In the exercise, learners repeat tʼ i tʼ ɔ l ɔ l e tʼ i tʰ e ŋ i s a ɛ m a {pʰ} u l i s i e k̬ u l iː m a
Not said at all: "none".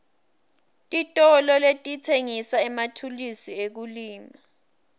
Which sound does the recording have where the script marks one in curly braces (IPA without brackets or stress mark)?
tʰ